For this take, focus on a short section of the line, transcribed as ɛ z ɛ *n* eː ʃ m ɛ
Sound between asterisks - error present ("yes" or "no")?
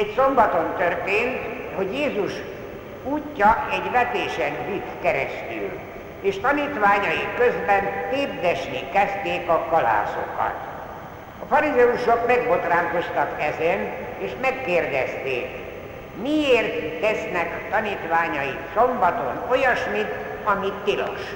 no